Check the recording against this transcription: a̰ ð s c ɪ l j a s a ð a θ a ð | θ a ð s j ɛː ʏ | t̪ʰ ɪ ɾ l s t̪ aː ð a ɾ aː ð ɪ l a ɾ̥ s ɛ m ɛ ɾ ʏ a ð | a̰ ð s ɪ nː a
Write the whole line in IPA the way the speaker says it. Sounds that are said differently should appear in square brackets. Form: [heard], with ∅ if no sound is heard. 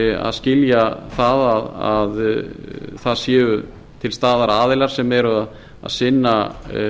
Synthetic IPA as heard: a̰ ð s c ɪ l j a [θ] a ð a [ð] a ð | θ a ð s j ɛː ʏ | t̪ʰ ɪ [∅] l s t̪ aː ð a ɾ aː ð ɪ l a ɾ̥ s ɛ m ɛ ɾ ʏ a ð | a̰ ð s ɪ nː a